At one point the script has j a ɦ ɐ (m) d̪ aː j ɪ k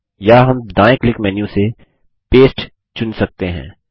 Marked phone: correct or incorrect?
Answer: correct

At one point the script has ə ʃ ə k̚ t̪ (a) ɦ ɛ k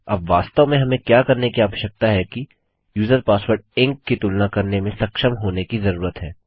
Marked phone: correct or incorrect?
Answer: correct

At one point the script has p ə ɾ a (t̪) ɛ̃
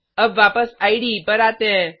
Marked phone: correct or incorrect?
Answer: correct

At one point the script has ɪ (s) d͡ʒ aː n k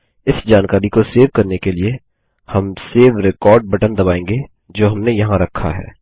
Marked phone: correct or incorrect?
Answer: correct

